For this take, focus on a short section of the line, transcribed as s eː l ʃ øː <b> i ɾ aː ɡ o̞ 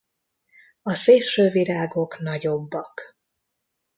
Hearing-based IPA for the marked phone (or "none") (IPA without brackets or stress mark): v